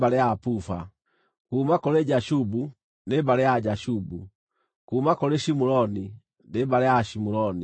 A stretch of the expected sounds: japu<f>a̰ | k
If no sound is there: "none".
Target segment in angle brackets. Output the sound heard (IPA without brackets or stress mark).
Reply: f